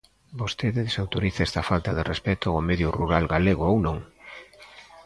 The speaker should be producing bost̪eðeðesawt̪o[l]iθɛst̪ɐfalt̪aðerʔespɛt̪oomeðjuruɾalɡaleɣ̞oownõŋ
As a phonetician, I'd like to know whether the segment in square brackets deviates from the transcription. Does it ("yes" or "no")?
yes